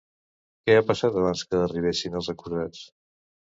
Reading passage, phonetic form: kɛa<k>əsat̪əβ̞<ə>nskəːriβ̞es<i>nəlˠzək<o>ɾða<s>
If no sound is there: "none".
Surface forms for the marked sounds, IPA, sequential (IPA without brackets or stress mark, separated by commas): p, a, i, u, t͡s